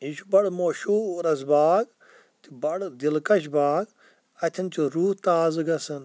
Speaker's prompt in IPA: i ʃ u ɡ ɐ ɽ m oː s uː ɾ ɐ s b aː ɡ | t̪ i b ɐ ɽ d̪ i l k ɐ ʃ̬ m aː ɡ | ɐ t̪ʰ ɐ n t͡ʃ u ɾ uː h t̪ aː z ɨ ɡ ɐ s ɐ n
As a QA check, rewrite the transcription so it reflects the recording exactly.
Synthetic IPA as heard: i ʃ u b ɐ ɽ m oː ʃ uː ɾ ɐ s b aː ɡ | t̪ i b ɐ ɽ d̪ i l k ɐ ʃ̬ b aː ɡ | ɐ t̪ʰ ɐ n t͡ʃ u ɾ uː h t̪ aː z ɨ ɡ ɐ s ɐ n